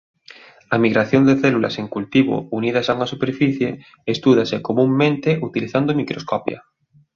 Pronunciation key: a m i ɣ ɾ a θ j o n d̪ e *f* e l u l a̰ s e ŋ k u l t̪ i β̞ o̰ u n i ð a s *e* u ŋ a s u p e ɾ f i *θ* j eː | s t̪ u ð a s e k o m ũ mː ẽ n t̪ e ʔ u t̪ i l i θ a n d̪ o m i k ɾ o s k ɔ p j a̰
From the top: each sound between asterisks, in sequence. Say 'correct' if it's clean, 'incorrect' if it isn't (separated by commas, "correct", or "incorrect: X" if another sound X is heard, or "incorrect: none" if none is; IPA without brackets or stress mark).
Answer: incorrect: θ, incorrect: a, correct